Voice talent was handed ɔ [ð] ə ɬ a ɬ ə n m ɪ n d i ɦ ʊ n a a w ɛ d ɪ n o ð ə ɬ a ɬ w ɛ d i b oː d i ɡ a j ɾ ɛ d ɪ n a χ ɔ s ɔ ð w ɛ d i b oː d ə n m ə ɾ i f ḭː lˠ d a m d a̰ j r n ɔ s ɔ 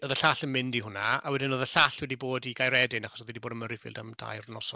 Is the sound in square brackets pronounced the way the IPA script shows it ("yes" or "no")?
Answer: yes